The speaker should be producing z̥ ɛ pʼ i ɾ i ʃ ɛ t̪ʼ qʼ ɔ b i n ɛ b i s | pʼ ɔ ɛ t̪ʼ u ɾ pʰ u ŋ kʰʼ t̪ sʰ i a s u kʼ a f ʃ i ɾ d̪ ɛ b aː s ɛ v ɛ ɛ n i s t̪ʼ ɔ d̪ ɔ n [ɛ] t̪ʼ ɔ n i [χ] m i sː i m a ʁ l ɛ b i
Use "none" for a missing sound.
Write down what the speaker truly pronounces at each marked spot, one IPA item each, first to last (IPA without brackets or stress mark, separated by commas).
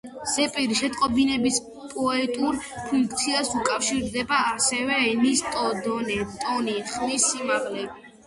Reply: ɛ, χ